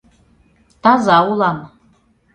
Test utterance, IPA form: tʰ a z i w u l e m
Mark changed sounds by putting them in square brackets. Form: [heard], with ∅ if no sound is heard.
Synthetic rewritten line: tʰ a z [a] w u l [a] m